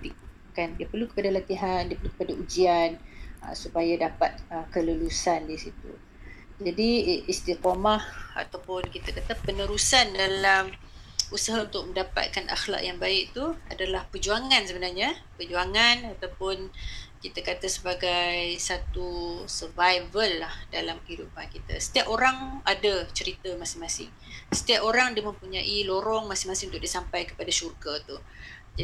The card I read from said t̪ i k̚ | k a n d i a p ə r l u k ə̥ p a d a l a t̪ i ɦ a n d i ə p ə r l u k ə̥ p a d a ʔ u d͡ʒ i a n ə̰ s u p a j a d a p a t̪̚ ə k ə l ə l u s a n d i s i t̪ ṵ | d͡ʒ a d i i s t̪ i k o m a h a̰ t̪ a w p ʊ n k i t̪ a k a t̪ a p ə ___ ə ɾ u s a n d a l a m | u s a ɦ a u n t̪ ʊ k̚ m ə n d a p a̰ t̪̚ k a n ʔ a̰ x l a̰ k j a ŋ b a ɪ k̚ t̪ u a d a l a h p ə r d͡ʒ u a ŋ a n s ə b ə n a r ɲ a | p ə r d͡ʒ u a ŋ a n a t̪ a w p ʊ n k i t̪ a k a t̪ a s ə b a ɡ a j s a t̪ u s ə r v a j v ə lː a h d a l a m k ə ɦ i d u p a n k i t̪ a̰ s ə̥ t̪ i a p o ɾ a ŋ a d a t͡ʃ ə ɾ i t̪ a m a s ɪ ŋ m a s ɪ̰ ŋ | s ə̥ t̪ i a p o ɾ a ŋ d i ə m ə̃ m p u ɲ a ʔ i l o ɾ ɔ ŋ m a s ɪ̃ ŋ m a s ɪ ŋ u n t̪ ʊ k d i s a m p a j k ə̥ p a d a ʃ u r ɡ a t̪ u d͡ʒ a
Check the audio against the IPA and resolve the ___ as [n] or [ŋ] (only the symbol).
n